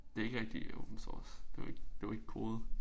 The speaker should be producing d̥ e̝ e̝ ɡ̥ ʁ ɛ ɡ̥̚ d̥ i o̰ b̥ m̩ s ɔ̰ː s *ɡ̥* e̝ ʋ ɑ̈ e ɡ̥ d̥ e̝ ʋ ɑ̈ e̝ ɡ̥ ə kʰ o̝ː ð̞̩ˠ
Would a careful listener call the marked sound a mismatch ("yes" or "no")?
yes